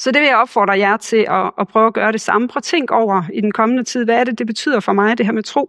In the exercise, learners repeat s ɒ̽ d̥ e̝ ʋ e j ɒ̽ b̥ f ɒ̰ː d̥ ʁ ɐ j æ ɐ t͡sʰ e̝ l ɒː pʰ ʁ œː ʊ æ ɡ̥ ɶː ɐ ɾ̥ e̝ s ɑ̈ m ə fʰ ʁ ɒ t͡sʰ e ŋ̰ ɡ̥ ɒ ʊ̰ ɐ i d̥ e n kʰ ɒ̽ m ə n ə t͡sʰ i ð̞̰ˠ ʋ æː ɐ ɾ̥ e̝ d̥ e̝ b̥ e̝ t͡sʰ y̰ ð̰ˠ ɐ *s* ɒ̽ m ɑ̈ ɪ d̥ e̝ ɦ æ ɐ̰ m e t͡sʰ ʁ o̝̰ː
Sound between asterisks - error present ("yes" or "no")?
yes